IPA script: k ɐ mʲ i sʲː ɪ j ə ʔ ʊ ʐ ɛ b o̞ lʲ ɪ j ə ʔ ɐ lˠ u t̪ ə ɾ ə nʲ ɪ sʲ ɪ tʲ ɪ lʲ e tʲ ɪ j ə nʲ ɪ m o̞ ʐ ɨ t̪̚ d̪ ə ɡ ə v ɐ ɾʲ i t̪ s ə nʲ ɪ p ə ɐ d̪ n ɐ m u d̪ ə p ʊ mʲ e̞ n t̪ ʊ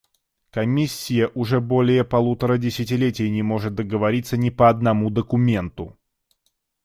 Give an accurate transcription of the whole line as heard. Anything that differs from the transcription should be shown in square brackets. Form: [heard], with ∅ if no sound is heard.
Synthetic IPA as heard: k ɐ mʲ i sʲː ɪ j ə ʔ ʊ ʐ ɛ b o̞ lʲ ɪ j ə [p] ɐ lˠ u t̪ ə ɾ ə [dʲ] ɪ sʲ ɪ tʲ ɪ lʲ e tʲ ɪ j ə nʲ ɪ m o̞ ʐ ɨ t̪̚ d̪ ə ɡ ə v ɐ ɾʲ i t̪ s ə nʲ ɪ p ə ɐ d̪ n ɐ m u d̪ ə [k] ʊ mʲ e̞ n t̪ ʊ